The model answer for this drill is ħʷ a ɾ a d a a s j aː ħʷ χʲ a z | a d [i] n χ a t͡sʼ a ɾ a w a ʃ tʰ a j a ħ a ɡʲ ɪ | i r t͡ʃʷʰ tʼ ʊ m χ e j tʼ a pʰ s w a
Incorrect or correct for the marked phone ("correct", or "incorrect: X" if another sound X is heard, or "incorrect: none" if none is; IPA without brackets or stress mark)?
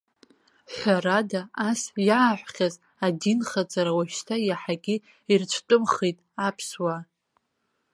correct